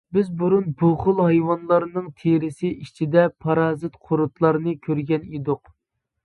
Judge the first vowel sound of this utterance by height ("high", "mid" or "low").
high